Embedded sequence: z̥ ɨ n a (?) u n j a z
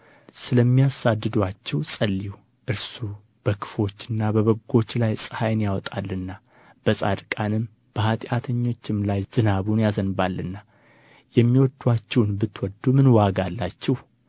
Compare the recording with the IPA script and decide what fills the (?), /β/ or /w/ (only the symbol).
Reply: β